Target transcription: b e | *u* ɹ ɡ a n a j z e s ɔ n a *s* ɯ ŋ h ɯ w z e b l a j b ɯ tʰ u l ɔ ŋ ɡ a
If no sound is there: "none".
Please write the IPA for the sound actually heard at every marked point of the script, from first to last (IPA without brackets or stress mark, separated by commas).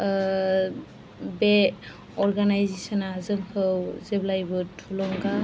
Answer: ɔ, z